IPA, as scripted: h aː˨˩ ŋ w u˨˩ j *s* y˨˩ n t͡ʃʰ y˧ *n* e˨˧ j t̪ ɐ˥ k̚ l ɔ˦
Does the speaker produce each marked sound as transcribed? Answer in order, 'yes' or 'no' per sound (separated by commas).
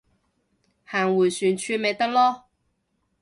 yes, no